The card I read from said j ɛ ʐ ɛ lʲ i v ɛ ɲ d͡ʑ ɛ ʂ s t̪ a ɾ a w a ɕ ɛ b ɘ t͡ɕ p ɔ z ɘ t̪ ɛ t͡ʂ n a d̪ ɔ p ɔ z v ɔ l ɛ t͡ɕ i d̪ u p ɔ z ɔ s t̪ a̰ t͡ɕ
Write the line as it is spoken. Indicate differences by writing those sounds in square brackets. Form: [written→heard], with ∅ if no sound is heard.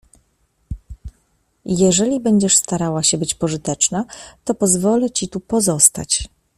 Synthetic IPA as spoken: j ɛ ʐ ɛ lʲ i [v→b] ɛ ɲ d͡ʑ ɛ ʂ s t̪ a ɾ a w a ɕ ɛ b ɘ t͡ɕ p ɔ [z→ʐ] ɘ t̪ ɛ t͡ʂ n a [d̪→t̪] ɔ p ɔ z v ɔ l ɛ t͡ɕ i [d̪→t̪] u p ɔ z ɔ s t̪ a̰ t͡ɕ